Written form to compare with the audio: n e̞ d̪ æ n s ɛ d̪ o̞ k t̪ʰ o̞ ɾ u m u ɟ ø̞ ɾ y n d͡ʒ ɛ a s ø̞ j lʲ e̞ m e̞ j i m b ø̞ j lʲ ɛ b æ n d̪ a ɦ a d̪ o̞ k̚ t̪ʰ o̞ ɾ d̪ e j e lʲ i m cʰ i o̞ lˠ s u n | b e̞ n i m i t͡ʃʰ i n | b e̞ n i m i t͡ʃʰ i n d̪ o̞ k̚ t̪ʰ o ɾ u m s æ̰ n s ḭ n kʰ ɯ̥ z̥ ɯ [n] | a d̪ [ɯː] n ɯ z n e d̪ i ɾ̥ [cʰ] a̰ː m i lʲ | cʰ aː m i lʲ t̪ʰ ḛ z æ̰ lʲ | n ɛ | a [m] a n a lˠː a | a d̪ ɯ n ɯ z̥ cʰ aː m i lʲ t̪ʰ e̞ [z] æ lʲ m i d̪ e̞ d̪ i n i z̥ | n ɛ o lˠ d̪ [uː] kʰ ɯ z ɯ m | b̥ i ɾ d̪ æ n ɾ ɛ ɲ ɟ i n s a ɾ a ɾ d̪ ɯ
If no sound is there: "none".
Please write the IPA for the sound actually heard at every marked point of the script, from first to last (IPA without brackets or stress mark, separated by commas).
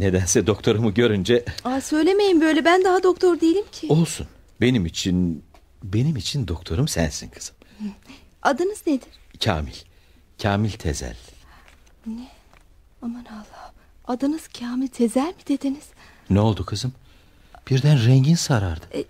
m, ɯ, cʰ, m, z, u